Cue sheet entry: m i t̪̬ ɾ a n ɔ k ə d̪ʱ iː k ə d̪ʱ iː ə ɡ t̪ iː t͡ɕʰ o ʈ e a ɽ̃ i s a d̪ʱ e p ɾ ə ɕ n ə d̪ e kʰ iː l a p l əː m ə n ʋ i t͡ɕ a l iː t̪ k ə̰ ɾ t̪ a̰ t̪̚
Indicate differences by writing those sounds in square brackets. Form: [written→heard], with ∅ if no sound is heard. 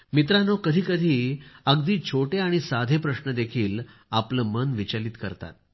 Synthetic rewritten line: m i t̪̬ ɾ a n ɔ k ə d̪ʱ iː k ə d̪ʱ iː ə ɡ [t̪→d̪] iː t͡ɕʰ o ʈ e a ɽ̃ i s a d̪ʱ e p ɾ ə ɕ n ə d̪ e kʰ iː l a p l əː m ə n ʋ i t͡ɕ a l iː t̪ k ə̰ ɾ t̪ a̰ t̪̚